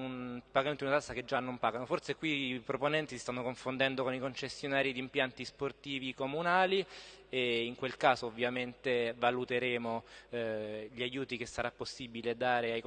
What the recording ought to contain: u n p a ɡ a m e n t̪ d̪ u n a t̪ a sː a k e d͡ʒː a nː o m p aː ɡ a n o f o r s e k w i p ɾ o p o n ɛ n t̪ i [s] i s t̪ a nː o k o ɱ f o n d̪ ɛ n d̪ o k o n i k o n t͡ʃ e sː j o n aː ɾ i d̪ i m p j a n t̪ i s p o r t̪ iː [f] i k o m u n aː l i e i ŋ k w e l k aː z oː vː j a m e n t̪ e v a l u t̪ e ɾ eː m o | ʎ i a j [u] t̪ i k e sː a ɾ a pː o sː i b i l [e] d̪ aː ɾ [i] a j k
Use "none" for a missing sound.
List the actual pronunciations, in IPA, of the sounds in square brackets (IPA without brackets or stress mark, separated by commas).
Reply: s, v, uː, e, e